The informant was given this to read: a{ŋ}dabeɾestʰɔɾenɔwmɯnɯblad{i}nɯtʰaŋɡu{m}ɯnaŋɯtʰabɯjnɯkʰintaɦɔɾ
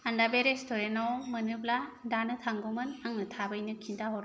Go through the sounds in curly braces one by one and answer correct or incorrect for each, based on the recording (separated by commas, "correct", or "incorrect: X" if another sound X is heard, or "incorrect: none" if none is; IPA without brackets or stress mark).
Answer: incorrect: n, incorrect: a, correct